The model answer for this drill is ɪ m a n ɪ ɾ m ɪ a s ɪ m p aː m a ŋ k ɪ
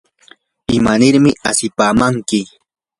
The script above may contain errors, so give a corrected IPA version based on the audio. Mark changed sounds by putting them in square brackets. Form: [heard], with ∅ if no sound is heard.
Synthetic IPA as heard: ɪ m a n ɪ ɾ m ɪ a s ɪ [∅] p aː m a ŋ k ɪ